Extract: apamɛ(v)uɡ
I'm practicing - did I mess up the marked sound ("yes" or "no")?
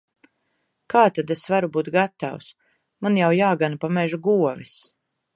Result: yes